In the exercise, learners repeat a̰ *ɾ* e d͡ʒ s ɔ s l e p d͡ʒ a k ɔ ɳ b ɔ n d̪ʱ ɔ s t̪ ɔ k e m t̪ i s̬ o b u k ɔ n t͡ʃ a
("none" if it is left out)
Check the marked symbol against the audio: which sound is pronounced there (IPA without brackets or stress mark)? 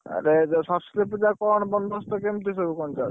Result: ɾ